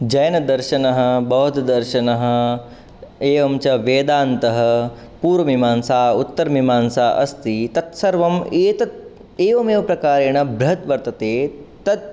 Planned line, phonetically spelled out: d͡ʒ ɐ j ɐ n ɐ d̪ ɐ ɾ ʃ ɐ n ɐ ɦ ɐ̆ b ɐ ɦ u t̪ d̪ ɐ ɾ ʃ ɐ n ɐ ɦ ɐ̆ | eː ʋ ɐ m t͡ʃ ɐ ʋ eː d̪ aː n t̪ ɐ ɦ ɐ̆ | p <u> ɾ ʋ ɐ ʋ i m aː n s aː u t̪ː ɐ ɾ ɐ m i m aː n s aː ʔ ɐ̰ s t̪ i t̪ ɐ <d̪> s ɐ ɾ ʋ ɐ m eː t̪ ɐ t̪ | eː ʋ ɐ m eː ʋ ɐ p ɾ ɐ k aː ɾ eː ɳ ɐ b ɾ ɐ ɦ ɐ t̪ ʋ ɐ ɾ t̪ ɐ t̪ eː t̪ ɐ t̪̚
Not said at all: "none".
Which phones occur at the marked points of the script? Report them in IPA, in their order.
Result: uː, t̪

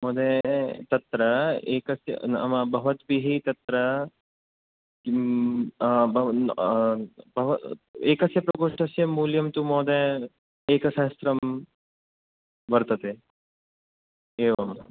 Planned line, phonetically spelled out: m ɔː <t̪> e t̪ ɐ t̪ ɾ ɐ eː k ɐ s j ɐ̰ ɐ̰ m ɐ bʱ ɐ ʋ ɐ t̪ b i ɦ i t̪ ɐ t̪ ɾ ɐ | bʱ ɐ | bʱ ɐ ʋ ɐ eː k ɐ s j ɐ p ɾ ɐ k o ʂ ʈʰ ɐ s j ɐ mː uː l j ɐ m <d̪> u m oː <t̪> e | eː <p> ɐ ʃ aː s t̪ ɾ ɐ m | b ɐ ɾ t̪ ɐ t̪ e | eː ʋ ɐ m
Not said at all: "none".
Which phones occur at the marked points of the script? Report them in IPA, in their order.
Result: d̪, t̪, d̪, k

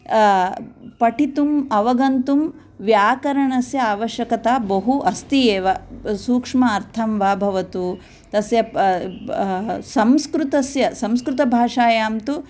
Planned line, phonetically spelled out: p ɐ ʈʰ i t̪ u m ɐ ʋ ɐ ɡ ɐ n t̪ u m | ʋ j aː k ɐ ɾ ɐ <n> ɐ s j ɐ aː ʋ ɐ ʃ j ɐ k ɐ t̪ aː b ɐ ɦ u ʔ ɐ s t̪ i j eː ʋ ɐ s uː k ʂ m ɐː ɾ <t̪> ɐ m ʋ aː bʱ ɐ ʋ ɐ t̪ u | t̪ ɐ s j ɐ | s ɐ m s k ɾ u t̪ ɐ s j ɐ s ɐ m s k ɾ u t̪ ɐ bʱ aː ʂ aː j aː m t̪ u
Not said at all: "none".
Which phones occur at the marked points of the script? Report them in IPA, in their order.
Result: ɳ, t̪ʰ

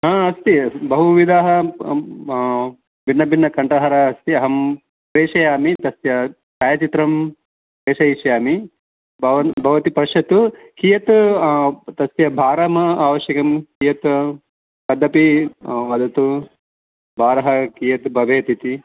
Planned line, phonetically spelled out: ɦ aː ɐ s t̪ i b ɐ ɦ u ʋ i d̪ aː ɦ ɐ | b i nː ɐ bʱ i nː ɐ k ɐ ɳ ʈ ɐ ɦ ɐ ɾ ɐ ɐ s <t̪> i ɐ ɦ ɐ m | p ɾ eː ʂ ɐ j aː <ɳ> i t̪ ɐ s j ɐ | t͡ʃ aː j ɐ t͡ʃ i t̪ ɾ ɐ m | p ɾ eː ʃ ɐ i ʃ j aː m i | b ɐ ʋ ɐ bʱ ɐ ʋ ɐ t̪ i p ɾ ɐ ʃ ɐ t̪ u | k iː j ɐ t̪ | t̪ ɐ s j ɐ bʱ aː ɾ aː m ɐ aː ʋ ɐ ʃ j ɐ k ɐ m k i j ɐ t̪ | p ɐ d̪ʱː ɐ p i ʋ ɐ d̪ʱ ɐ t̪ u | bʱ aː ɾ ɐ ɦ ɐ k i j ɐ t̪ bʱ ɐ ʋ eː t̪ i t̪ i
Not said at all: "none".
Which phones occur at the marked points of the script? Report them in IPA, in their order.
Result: t̪, m

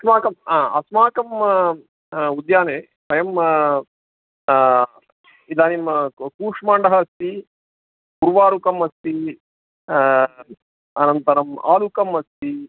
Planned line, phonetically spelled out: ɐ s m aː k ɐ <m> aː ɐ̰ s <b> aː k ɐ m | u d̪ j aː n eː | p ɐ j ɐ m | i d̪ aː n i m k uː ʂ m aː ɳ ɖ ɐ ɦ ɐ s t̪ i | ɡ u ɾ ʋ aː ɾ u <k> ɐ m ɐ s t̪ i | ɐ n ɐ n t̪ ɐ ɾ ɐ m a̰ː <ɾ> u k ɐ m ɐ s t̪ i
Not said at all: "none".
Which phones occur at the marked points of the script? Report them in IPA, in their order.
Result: m, m, k, l

